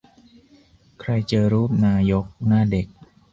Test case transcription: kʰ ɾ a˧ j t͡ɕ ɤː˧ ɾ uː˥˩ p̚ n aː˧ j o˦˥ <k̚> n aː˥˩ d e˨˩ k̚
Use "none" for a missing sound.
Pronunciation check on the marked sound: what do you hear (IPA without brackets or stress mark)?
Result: k̚